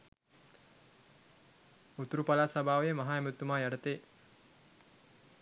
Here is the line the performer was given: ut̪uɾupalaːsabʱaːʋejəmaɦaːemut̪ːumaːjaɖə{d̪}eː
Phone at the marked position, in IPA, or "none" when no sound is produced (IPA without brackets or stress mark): t̪